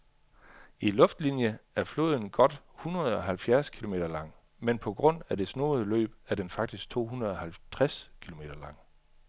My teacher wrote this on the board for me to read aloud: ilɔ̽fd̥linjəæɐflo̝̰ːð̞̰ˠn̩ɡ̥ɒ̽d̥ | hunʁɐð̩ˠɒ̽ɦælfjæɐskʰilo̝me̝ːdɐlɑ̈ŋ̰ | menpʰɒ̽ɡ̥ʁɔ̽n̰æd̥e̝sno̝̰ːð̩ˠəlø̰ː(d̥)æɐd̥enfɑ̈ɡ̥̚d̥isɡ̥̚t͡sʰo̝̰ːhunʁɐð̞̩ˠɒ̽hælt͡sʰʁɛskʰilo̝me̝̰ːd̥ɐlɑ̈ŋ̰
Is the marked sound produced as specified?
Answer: no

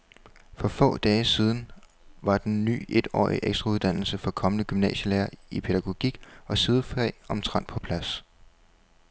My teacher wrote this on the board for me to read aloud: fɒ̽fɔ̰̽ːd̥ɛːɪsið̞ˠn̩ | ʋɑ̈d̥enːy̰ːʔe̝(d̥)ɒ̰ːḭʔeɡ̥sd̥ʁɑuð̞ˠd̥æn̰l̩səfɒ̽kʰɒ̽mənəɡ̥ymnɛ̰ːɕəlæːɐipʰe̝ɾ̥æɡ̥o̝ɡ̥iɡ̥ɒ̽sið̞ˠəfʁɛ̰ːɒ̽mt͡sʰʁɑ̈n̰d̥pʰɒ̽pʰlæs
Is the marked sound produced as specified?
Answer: yes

